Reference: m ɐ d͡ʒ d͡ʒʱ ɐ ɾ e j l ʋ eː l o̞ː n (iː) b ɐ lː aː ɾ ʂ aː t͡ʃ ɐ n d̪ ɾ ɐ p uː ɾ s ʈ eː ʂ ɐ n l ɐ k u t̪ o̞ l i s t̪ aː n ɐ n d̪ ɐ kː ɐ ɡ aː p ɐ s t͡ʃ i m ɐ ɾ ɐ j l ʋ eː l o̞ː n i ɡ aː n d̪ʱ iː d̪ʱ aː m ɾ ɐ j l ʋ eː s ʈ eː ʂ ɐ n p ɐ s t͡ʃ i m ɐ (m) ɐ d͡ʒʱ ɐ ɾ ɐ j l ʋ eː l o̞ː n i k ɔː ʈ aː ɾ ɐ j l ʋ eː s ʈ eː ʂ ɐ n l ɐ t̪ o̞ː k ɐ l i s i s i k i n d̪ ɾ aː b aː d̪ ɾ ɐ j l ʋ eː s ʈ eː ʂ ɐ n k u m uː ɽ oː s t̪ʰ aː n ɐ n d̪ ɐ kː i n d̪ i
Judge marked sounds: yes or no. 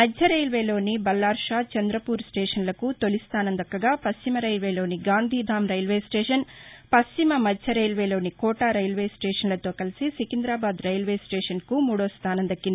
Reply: no, yes

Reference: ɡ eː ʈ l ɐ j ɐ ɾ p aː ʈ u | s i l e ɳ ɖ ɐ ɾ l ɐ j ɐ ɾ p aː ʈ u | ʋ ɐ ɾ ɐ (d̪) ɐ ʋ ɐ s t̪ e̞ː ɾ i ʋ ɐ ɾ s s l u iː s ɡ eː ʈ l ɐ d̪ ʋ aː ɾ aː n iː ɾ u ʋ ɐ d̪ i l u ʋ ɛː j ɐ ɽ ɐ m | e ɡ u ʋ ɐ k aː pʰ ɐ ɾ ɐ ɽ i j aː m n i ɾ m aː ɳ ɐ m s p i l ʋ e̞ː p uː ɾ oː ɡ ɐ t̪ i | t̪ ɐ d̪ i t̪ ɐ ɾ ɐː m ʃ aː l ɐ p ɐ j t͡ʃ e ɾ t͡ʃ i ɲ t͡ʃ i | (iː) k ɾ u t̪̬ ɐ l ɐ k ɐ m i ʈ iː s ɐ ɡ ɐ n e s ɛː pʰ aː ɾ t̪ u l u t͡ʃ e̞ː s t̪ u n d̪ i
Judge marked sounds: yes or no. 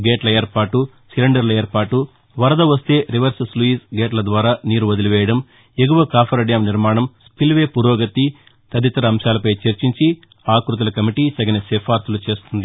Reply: yes, no

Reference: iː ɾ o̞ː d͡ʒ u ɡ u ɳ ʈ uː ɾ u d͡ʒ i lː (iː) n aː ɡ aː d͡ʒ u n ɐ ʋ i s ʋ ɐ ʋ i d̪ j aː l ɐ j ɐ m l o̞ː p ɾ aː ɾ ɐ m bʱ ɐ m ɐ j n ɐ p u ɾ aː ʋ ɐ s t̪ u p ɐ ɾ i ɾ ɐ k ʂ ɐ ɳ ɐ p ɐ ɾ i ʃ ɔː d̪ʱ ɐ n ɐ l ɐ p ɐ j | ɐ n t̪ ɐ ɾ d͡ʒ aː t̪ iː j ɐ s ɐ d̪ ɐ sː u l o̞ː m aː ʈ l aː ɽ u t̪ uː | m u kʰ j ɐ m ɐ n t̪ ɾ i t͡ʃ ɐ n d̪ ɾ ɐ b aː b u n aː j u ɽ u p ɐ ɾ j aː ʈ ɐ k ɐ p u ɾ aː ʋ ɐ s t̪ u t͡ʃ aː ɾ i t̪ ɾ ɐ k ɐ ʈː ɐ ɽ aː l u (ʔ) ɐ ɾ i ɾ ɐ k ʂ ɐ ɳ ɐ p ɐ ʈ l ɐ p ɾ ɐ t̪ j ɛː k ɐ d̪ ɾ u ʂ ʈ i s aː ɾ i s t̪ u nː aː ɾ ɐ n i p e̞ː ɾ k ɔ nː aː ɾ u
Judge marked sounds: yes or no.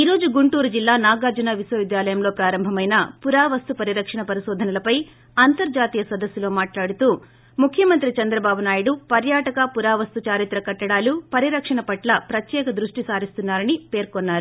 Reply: no, no

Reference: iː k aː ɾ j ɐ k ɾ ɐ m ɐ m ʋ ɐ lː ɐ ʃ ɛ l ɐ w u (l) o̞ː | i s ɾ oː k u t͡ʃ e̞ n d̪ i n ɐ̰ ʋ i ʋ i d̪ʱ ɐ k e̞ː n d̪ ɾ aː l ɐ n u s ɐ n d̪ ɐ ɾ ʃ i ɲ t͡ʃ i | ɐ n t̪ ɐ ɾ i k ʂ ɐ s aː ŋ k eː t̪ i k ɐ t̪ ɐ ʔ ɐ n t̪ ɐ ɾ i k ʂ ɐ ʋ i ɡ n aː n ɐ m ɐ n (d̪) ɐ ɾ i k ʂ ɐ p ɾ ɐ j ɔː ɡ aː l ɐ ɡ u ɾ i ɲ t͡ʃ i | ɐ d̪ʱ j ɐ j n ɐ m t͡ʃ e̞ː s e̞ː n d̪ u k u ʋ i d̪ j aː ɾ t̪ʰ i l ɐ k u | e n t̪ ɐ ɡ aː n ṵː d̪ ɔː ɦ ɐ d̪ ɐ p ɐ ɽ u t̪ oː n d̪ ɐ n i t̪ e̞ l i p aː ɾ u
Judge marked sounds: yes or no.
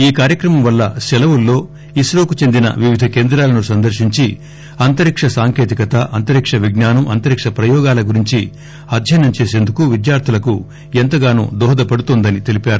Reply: no, no

